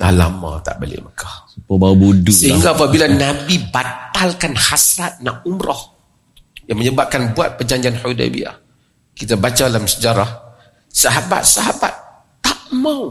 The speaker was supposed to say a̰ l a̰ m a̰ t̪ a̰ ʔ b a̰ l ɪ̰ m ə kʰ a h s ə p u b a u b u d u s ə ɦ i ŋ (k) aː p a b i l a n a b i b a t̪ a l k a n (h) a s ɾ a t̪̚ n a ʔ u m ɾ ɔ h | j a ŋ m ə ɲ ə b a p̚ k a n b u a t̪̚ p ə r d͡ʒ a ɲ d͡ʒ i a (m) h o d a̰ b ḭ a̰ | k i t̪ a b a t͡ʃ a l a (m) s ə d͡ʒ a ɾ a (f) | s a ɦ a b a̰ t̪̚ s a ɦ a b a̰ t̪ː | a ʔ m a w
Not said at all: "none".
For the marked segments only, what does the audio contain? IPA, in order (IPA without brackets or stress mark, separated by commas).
ɡ, h, n, m, h